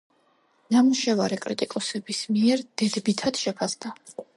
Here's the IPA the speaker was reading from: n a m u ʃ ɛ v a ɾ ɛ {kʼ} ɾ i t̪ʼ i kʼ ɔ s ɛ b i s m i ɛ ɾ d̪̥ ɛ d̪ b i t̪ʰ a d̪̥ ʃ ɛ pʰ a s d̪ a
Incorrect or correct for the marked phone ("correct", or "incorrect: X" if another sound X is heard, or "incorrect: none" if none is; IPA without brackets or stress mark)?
correct